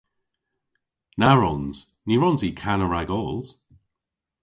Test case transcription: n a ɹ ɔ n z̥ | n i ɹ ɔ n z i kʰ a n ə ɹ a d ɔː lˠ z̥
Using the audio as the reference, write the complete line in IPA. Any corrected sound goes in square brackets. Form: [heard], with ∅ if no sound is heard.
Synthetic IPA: n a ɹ ɔ n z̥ | n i ɹ ɔ n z i kʰ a n ə ɹ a [ɡ] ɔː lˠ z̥